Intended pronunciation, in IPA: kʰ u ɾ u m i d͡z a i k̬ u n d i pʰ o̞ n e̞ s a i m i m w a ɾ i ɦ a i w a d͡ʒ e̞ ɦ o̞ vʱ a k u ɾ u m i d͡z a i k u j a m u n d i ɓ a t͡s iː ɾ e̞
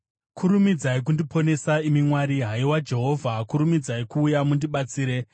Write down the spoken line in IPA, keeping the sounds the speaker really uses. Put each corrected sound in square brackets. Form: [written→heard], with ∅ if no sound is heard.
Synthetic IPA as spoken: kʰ u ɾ u m i d͡z a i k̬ u n d i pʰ o̞ n e̞ s a i m i m w a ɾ i ɦ a i w a d͡ʒ e̞ ɦ o̞ vʱ a k u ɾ u m i d͡z a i k [u→uː] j a m u n d i ɓ a t͡s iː ɾ e̞